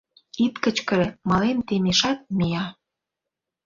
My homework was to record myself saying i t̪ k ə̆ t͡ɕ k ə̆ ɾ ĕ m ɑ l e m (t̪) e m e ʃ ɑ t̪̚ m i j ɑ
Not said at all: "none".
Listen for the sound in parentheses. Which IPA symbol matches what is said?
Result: t̪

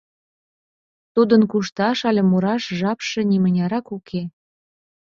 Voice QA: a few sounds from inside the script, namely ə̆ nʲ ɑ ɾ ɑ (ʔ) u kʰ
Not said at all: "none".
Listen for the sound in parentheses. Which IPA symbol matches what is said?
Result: k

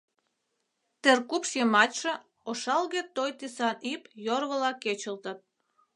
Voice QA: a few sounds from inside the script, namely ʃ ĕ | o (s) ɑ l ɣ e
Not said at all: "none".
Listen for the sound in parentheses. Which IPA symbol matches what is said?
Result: ʃ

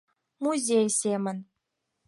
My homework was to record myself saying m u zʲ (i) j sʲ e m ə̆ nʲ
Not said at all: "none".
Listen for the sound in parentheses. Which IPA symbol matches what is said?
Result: e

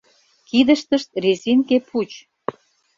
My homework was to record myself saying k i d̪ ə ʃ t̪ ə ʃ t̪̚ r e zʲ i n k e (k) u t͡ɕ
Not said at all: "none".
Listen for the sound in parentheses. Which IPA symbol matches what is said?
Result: p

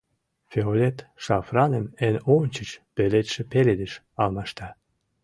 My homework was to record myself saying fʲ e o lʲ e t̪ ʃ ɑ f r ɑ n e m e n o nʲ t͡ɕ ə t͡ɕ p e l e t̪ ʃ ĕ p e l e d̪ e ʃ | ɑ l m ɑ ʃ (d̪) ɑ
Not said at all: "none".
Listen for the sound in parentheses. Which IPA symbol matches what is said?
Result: t̪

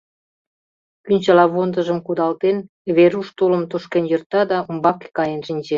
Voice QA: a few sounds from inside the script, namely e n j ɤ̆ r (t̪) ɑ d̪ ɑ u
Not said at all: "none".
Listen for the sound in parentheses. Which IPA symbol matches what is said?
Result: t̪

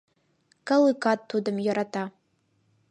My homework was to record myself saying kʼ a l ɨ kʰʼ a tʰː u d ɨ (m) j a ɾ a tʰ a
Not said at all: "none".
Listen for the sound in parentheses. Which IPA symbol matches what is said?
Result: m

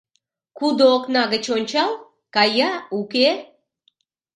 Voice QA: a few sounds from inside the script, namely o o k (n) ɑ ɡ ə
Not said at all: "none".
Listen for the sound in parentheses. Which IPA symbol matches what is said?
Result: n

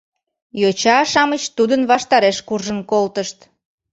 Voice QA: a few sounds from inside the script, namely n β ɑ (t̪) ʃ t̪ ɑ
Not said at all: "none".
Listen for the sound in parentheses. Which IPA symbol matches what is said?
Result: none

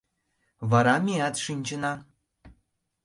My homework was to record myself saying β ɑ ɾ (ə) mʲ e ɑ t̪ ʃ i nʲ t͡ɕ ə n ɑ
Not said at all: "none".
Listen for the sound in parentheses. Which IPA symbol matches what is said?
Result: ɑ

